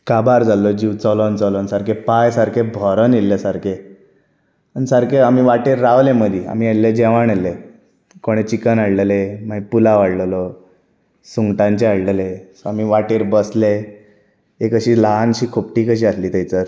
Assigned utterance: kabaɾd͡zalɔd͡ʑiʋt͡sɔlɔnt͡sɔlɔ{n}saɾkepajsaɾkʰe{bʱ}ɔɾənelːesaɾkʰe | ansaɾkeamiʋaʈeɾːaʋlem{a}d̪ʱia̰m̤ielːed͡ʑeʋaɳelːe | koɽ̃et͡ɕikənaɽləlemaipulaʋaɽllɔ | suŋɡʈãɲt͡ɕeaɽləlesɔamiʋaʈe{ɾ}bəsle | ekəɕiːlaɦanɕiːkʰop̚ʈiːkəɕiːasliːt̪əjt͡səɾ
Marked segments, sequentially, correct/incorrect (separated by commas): correct, correct, incorrect, correct